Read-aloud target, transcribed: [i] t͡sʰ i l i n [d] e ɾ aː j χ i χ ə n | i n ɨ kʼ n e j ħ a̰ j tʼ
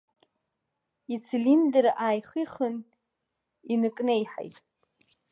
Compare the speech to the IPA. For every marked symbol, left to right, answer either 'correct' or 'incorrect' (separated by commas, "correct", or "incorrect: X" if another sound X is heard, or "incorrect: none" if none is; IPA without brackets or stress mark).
correct, correct